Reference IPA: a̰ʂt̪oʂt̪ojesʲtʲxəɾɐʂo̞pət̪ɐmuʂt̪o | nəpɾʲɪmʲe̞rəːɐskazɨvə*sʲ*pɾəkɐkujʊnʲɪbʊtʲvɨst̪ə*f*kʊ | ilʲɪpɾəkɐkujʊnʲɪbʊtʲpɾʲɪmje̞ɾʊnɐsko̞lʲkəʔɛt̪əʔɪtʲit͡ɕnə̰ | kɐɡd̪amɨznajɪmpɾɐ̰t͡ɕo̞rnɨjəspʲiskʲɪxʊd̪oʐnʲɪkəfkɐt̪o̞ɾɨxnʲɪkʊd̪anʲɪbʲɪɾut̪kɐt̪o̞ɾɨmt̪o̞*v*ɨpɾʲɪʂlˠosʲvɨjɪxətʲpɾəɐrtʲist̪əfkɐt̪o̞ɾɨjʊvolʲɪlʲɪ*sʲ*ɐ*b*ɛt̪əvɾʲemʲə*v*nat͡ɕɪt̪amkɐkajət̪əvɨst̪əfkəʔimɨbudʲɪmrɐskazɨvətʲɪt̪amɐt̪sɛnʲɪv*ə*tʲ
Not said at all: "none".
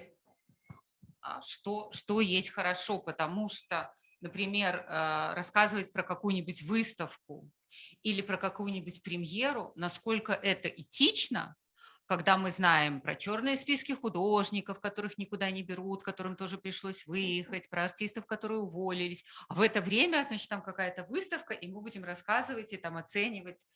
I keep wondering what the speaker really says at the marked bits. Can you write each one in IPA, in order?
tʲ, f, ʐ, sʲ, v, z, ə

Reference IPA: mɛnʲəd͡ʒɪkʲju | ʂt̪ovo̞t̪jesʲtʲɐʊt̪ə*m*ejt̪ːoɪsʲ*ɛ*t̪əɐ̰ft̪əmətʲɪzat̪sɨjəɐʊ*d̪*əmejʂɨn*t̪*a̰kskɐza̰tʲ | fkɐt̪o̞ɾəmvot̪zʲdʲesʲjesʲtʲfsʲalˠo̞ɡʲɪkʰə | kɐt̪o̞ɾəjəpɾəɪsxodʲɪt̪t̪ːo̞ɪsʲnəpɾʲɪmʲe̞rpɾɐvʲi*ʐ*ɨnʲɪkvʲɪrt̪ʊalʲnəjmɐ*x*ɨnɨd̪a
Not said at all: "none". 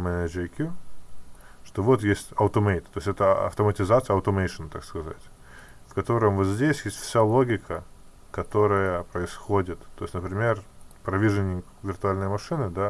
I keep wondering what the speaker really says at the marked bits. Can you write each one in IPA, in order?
m, ɛ, t̪, t̪, ʐ, ʂ

